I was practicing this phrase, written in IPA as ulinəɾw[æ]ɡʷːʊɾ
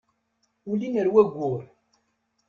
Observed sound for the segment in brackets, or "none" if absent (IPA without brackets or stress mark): æ